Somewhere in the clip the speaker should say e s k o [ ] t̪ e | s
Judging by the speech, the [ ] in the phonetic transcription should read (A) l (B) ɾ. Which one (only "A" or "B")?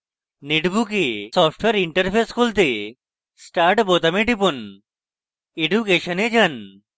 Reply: A